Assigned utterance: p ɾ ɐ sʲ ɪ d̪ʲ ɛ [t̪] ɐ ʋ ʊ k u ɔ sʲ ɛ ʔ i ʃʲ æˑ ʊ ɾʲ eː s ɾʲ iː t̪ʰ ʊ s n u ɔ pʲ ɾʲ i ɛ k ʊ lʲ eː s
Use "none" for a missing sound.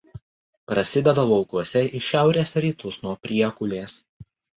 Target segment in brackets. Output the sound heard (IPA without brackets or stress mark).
d̪